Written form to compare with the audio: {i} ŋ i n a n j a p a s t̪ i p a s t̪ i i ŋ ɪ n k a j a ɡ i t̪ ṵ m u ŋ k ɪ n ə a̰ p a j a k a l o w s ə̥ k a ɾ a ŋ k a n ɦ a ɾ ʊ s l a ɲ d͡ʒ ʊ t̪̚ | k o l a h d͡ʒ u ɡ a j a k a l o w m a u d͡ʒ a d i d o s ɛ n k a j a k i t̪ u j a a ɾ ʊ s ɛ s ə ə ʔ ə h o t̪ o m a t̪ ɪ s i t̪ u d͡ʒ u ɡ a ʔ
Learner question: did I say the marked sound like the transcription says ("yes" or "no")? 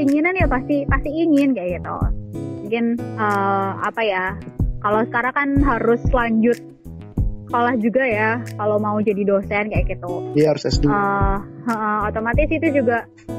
yes